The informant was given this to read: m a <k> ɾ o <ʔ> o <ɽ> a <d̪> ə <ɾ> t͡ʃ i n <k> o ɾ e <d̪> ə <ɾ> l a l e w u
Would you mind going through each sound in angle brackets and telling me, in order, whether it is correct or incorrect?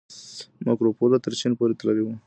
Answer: correct, incorrect, incorrect, incorrect, correct, incorrect, incorrect, incorrect

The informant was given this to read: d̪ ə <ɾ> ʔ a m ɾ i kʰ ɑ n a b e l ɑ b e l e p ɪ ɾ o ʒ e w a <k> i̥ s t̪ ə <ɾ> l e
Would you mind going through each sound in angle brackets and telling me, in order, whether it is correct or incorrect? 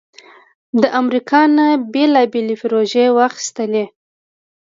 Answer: incorrect, incorrect, incorrect

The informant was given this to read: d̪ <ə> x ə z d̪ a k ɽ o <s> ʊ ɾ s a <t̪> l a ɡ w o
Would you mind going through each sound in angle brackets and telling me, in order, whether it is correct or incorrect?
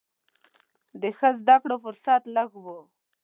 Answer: correct, incorrect, correct

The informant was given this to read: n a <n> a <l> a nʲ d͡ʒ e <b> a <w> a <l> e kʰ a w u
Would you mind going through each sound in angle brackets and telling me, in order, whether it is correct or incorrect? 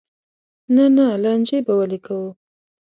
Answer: correct, correct, correct, correct, correct

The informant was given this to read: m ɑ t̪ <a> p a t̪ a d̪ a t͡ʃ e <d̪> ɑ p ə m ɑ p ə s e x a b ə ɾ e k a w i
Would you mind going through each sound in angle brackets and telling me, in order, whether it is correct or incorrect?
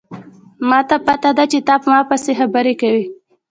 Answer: correct, incorrect

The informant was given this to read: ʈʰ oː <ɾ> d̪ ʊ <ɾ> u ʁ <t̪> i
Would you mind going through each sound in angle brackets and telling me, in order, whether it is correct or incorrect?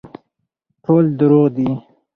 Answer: incorrect, correct, incorrect

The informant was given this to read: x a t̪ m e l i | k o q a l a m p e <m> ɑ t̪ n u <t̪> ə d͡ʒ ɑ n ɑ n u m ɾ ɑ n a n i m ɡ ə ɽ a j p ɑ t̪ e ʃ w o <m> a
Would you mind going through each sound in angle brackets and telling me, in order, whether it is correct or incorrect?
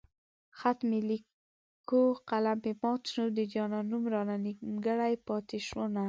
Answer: correct, incorrect, incorrect

